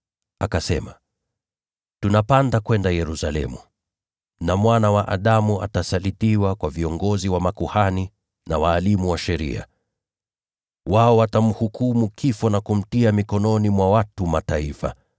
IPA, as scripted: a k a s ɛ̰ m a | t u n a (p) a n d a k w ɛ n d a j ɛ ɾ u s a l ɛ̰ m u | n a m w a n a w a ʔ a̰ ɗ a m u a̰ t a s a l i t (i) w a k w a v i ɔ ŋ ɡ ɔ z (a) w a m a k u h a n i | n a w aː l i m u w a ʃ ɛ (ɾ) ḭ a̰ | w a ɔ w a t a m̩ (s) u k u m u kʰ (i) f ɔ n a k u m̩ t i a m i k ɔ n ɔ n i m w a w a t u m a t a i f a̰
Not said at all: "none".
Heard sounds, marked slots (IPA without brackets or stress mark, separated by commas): p, i, i, ɾ, h, i